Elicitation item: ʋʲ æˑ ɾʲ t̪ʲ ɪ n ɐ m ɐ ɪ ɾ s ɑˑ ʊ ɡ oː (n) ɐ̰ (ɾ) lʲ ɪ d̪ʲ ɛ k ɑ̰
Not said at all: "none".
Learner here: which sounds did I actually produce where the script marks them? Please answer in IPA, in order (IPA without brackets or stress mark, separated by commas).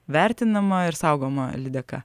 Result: m, none